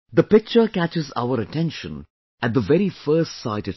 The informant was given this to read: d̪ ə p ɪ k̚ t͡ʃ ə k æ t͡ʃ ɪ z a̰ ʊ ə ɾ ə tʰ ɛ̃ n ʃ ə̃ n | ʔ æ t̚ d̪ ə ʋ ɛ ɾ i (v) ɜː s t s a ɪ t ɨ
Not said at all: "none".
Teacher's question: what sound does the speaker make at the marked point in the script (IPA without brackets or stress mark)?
f